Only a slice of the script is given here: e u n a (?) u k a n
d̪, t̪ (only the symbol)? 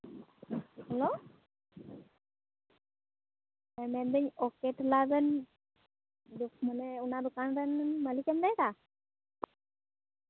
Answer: d̪